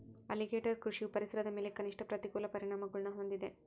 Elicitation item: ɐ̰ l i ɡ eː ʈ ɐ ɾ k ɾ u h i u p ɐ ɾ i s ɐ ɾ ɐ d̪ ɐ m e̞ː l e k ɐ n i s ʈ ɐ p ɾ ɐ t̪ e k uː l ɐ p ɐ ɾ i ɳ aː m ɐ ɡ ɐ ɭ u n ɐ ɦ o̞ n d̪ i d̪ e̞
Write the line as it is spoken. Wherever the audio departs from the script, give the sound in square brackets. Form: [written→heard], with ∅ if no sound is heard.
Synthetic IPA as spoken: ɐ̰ l i ɡ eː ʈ ɐ ɾ k ɾ u [h→ʂ] i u p ɐ ɾ i s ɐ ɾ ɐ d̪ ɐ m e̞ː l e k ɐ n i [s→ʂ] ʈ ɐ p ɾ ɐ t̪ [e→i] k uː l ɐ p ɐ ɾ i ɳ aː m ɐ ɡ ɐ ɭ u n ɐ ɦ o̞ n d̪ i d̪ e̞